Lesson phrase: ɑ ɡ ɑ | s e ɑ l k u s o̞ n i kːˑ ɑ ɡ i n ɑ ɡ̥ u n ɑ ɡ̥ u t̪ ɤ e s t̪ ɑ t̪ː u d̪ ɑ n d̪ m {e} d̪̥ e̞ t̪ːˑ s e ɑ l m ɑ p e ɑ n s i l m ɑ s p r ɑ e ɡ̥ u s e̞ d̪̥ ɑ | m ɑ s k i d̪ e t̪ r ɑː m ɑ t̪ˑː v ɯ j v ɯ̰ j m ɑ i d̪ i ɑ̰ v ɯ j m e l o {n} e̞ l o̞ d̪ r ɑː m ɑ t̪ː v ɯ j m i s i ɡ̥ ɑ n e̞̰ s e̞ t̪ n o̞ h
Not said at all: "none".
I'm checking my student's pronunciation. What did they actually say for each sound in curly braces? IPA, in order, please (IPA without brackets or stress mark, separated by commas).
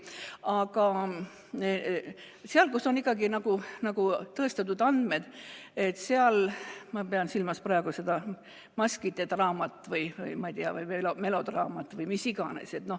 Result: e, m